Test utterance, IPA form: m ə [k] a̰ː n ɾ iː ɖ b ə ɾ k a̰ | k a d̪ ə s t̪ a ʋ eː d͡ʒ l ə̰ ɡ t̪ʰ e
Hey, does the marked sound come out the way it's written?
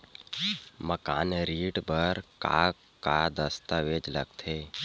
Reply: yes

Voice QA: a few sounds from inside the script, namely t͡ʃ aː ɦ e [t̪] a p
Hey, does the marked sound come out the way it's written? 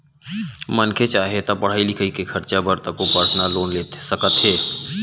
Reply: yes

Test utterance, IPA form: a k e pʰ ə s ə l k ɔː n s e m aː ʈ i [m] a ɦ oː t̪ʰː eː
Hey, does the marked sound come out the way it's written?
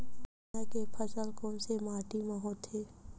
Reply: yes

